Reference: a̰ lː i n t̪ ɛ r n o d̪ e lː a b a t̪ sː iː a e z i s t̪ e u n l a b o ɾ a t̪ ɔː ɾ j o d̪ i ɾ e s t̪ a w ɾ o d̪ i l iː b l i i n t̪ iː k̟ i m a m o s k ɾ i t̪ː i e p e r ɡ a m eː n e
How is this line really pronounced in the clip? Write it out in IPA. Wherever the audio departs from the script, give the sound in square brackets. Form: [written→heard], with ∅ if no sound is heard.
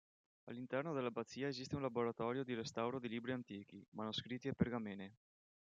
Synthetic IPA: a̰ lː i n t̪ ɛ r n o d̪ e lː a b a t̪ sː iː a e z i s t̪ e u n l a b o ɾ a t̪ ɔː ɾ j o d̪ i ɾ e s t̪ a w ɾ o d̪ i l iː b [l→ɾ] i [i→a] n t̪ iː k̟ i m a [m→n] o s k ɾ i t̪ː i e p e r ɡ a m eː n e